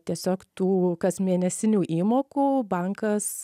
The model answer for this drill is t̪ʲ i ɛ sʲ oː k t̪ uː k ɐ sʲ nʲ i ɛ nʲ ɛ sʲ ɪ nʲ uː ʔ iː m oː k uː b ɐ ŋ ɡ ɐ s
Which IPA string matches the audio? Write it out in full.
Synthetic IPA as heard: t̪ʲ i ɛ sʲ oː k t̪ uː k ɐ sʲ mʲ i ɛ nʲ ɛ sʲ ɪ nʲ uː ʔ iː m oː k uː b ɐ ŋ k ɐ s

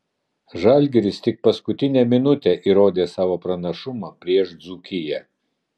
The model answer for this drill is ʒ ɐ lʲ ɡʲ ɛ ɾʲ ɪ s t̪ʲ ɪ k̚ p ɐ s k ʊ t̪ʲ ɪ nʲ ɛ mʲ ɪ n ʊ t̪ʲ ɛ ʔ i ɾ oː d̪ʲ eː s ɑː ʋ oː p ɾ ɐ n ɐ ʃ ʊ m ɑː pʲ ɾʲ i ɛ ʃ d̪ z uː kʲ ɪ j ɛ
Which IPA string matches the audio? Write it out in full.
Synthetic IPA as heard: ʒ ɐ lʲ ɡʲ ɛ ɾʲ ɪ s t̪ʲ ɪ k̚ p ɐ s k ʊ t̪ʲ ɪ nʲ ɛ mʲ ɪ n ʊ t̪ʲ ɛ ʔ i ɾ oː d̪ʲ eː s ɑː ʋ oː p ɾ ɐ n ɐ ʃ ʊ m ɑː pʲ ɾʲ i ɛ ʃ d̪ z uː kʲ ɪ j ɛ

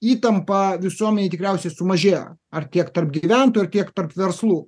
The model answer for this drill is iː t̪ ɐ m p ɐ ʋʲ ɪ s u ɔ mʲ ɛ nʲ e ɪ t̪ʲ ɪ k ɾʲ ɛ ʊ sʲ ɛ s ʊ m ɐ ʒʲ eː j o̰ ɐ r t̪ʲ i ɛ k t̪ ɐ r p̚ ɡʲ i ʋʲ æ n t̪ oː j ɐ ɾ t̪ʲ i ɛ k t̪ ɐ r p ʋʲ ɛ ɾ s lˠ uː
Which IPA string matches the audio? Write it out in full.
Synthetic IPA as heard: iː t̪ ɐ m p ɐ ʋʲ ɪ s u ɔ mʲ ɛ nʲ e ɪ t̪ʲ ɪ k ɾʲ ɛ ʊ sʲ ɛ s ʊ m ɐ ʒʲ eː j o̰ ɐ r t̪ʲ i ɛ k t̪ ɐ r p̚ ɡʲ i ʋʲ æ n t̪ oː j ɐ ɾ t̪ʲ i ɛ k t̪ ɐ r p ʋʲ ɛ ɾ s lˠ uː

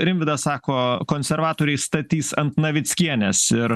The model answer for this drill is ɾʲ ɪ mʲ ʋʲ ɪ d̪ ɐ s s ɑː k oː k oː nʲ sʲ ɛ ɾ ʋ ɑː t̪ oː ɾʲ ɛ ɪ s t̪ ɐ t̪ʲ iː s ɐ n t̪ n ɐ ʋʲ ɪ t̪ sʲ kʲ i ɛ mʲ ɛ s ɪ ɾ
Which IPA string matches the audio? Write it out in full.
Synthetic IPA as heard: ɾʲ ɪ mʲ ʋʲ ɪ d̪ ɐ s s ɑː k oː k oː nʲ sʲ ɛ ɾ ʋ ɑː t̪ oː ɾʲ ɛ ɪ s t̪ ɐ t̪ʲ iː s ɐ n t̪ n ɐ ʋʲ ɪ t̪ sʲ kʲ i ɛ nʲ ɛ s ɪ ɾ

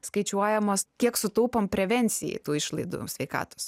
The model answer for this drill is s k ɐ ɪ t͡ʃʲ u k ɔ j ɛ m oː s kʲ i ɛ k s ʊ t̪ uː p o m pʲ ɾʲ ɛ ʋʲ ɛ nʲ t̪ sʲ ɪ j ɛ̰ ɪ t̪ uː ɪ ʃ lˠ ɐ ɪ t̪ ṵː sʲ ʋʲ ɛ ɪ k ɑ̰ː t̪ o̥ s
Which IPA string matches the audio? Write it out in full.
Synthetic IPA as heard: s k ɐ ɪ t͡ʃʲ u ɔ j ɛ m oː s kʲ i ɛ k s ʊ t̪ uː p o m pʲ ɾʲ ɛ ʋʲ ɛ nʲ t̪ sʲ ɪ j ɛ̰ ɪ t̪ uː ɪ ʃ lˠ ɐ ɪ d̪ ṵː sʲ ʋʲ ɛ ɪ k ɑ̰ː t̪ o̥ s

